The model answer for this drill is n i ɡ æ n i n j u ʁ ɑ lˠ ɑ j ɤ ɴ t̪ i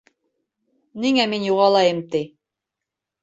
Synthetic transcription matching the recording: n i ŋ æ m i n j u ʁ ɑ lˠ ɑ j ɤ m t̪ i